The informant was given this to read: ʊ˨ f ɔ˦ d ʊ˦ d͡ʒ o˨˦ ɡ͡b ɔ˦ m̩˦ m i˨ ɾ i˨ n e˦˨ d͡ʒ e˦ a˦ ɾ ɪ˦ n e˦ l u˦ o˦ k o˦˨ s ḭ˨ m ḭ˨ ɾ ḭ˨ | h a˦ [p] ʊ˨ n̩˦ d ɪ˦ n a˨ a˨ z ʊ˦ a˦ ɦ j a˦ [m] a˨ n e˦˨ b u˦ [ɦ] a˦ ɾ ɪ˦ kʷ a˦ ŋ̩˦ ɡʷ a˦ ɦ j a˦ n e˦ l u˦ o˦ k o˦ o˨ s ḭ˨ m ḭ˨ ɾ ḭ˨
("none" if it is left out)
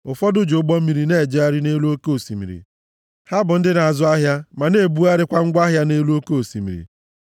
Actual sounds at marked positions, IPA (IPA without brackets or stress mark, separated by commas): b, m, none